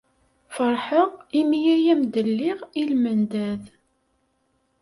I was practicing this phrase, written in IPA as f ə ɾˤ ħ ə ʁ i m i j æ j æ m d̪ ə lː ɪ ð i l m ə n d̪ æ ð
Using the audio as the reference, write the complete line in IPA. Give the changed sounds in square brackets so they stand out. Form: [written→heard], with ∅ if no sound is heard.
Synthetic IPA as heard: f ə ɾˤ ħ ə ʁ i m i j æ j æ m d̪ ə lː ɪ [ð→ʁ] i l m ə n d̪ æ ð